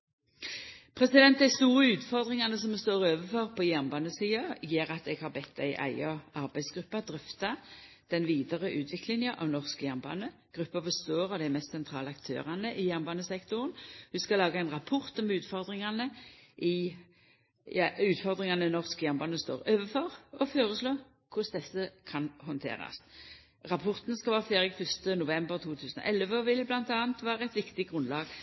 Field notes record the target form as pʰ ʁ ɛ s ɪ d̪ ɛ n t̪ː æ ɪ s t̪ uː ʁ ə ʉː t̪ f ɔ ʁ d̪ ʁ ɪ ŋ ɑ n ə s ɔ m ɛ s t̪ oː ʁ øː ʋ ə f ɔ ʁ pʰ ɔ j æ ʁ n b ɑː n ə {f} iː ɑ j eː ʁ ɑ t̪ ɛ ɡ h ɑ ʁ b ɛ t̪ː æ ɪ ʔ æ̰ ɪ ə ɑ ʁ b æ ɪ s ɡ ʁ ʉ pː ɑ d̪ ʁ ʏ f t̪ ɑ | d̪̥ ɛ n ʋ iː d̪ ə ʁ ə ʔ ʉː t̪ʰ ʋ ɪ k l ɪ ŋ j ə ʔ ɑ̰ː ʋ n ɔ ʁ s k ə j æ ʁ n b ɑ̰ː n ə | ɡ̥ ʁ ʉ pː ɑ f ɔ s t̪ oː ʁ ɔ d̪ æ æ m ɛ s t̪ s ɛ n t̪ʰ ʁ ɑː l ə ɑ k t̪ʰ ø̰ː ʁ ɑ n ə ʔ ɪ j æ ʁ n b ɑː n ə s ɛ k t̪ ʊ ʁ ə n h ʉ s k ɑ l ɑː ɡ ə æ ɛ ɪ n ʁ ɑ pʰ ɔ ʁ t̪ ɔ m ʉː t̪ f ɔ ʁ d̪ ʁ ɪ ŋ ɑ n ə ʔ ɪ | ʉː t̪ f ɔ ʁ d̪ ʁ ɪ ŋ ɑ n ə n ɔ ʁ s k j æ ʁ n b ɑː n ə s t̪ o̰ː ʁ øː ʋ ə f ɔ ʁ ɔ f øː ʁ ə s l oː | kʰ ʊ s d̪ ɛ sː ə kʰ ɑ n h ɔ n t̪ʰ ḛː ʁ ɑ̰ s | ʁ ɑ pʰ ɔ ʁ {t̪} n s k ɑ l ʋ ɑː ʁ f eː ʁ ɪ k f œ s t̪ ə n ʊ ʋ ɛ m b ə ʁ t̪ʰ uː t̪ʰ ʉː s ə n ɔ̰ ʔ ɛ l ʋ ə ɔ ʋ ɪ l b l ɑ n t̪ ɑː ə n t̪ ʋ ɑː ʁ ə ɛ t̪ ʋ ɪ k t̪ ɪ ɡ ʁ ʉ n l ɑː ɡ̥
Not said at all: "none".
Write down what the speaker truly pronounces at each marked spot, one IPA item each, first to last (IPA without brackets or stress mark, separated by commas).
s, t̪